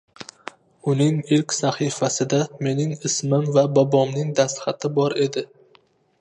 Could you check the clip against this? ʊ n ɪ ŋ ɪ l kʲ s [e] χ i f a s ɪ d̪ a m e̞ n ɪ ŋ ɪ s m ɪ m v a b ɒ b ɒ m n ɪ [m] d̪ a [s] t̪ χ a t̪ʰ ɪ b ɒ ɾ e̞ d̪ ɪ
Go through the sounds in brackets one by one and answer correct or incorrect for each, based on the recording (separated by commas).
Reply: incorrect, incorrect, correct